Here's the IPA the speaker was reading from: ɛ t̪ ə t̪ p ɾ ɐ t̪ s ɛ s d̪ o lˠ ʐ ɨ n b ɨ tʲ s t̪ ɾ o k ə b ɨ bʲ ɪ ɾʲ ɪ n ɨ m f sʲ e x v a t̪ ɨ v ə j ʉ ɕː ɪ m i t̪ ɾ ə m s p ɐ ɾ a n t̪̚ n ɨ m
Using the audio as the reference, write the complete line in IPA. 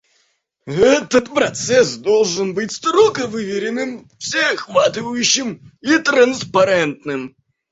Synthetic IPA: ɛ t̪ ə t̪ p ɾ ɐ t̪ s ɛ s d̪ o lˠ ʐ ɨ n b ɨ tʲ s t̪ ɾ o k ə v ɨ vʲ ɪ ɾʲ ɪ n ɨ m f sʲ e x v a t̪ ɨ v ə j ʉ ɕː ɪ m i t̪ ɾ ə n s p ɐ ɾ ɛ n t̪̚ n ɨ m